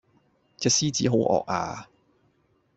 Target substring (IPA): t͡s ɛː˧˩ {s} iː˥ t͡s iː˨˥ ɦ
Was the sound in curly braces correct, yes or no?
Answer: yes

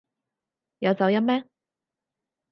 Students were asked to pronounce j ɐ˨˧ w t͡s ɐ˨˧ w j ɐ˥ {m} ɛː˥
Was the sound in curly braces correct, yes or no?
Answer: yes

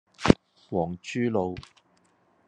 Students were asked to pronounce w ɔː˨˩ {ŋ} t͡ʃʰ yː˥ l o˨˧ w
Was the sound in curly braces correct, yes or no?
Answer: yes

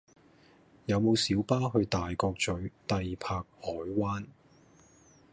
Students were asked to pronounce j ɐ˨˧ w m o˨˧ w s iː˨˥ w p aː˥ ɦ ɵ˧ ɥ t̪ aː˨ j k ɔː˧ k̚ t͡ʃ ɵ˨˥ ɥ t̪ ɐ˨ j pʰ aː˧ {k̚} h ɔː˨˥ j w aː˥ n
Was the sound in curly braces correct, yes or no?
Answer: yes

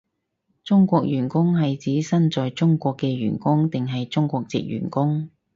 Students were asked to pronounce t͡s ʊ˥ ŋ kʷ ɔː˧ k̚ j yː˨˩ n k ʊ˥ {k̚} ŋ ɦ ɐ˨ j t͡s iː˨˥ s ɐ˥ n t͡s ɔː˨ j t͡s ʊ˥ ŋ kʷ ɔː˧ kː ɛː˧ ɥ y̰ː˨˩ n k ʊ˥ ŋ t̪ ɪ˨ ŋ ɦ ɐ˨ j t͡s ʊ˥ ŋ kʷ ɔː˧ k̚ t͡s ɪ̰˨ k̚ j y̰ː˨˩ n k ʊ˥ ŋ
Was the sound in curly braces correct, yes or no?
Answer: no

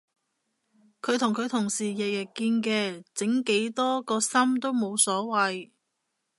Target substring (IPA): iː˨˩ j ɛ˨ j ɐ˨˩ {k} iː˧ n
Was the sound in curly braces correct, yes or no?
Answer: yes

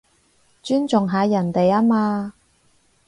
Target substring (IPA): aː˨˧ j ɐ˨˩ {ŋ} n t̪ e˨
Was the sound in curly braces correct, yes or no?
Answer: no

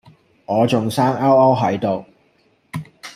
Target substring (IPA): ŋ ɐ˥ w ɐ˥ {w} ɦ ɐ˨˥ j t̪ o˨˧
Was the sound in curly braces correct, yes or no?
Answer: yes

